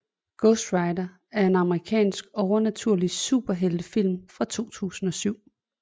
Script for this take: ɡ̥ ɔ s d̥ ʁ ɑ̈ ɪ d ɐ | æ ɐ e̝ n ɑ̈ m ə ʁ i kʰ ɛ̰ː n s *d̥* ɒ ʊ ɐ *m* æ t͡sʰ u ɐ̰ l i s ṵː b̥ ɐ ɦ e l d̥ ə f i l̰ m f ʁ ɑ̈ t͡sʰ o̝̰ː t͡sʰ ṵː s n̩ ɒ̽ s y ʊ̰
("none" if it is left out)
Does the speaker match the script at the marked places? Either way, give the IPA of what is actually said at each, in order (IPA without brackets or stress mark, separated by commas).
ɡ̥, n